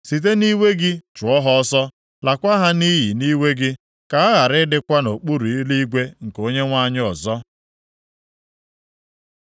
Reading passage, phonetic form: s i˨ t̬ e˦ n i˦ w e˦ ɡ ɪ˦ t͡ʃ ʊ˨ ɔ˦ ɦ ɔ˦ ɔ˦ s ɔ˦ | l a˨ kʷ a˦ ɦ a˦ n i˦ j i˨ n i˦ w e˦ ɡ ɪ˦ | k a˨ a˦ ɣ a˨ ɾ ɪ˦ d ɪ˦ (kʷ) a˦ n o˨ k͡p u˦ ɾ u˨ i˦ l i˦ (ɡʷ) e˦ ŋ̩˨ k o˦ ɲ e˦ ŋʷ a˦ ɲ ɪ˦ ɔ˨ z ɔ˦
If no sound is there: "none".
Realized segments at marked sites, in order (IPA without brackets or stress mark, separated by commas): kʷ, ɡʷ